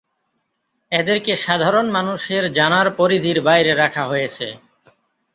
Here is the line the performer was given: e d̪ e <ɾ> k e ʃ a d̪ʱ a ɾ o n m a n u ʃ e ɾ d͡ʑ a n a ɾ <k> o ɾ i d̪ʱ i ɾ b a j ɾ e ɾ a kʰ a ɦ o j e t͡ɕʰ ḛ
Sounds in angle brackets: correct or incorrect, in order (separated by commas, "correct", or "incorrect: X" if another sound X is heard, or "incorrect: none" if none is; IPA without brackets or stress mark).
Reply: correct, incorrect: p